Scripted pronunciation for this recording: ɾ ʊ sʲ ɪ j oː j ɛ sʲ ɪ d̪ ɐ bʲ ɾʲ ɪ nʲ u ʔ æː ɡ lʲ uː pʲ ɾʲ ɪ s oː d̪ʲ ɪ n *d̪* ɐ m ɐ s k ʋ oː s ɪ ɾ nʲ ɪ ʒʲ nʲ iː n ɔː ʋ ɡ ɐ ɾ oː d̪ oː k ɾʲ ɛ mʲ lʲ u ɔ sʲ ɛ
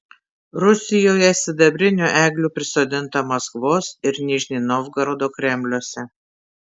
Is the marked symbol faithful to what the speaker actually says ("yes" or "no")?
no